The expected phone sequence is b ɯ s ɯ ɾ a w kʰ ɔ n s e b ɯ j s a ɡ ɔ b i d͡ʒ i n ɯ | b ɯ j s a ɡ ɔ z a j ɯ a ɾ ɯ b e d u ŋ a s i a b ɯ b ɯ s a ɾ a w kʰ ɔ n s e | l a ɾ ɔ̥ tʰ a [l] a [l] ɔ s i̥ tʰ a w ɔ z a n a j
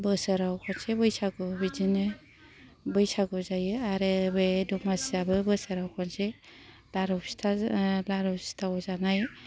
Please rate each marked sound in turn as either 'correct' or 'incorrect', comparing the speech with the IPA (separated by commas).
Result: correct, incorrect